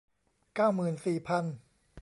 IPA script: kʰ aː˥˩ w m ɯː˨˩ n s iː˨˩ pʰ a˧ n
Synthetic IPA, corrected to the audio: k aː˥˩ w m ɯː˨˩ n s iː˨˩ pʰ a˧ n